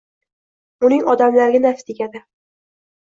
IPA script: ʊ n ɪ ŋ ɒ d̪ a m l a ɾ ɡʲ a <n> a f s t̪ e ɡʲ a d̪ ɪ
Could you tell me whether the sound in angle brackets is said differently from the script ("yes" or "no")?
no